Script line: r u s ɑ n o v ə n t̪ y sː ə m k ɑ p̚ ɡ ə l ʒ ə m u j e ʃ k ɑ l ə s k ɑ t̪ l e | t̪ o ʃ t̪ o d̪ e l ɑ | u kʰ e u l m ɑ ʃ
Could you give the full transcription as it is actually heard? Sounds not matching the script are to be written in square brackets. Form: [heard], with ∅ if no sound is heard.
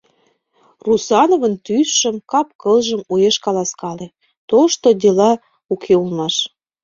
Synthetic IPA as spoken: r u s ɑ n o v ə n t̪ y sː ə m k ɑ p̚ [k] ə l ʒ ə m u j e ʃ k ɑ l [ɑ] s k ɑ [∅] l e | t̪ o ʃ t̪ o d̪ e l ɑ | u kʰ e u l m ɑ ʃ